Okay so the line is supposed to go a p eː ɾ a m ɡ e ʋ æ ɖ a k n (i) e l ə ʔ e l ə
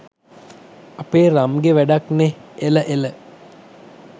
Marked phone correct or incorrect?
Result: incorrect